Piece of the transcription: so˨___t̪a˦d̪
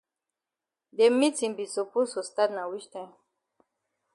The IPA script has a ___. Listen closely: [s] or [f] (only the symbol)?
s